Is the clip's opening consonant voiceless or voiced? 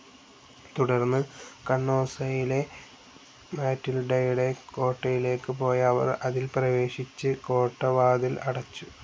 voiceless